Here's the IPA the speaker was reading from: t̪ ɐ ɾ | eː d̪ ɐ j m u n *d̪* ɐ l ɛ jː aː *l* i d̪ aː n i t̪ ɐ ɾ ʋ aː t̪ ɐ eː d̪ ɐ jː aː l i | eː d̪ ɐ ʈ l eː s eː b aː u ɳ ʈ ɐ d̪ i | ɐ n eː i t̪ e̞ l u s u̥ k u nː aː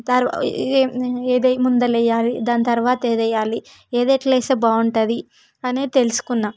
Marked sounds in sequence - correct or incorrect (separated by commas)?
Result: correct, correct